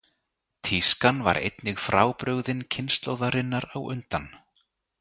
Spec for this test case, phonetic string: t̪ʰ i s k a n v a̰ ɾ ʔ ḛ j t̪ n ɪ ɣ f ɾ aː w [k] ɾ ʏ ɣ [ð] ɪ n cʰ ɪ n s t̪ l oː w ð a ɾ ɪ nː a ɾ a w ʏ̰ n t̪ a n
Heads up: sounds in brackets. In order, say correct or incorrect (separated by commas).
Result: incorrect, correct